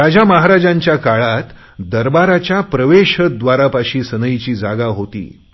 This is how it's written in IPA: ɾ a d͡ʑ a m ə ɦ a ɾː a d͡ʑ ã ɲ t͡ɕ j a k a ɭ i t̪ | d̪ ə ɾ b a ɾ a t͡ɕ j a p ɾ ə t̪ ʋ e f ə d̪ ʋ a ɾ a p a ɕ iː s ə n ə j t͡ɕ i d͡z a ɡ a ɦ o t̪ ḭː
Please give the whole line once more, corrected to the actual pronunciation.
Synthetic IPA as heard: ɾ a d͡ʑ a m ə ɦ a ɾ a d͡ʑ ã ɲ t͡ɕ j a k a ɭ a t̪ | d̪ ə ɾ b a ɾ a t͡ɕ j a p ɾ ə ʋ e ɕ ə d̪ ʋ a ɾ a p a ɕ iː s ə n ə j t͡ɕ iː d͡z a ɡ a ɦ o t̪ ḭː